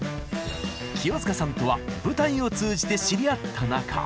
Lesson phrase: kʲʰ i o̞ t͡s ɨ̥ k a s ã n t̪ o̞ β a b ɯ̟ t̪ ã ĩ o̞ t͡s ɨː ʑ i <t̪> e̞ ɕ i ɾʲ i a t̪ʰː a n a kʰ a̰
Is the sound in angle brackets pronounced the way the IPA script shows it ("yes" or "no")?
yes